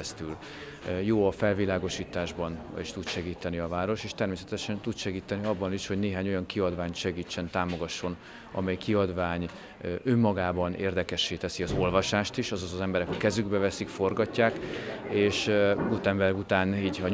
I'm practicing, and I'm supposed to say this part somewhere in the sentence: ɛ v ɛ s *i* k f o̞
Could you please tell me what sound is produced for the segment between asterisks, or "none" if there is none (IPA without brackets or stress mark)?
i